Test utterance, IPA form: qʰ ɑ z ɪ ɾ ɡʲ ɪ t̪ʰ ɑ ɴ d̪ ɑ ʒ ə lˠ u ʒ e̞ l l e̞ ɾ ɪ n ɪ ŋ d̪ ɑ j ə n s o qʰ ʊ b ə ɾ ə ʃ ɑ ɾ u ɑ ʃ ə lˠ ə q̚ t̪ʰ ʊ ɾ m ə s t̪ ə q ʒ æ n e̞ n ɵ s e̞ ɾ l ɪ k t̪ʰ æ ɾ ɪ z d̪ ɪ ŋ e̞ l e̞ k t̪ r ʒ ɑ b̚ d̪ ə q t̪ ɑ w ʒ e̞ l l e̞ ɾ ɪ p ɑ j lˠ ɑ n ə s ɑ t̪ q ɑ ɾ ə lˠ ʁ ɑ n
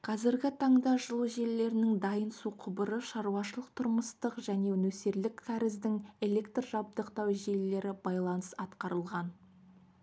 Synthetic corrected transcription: qʰ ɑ z ɪ ɾ ɡʲ ɪ t̪ʰ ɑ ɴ d̪ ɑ ʒ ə lˠ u ʒ e̞ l l e̞ ɾ ɪ n ɪ ŋ d̪ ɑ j ə n s u qʰ ʊ b ə ɾ ə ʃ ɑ ɾ u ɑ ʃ ə lˠ ə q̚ t̪ʰ ʊ ɾ m ə s t̪ ə q ʒ æ n e̞ n ɵ s e̞ ɾ l ɪ k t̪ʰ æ ɾ ɪ z d̪ ɪ ŋ e̞ l e̞ k t̪ r ʒ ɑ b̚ d̪ ə q t̪ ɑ w ʒ e̞ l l e̞ ɾ ɪ b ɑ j lˠ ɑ n ə s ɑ t̪ q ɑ ɾ ə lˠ ʁ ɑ n